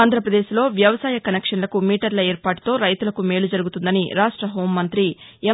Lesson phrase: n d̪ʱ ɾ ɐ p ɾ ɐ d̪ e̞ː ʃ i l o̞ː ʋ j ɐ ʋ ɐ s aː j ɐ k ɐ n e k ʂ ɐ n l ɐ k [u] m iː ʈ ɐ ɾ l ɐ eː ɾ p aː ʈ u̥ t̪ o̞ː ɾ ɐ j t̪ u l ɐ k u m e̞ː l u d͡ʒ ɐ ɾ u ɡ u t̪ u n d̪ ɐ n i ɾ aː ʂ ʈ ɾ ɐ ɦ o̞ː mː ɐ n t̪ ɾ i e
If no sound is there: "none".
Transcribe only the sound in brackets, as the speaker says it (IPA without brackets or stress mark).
u